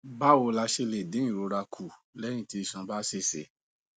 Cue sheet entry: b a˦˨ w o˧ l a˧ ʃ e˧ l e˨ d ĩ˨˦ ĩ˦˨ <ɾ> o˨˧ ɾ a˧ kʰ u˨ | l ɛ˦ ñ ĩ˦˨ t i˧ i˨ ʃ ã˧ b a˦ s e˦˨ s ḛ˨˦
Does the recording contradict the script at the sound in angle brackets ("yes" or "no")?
no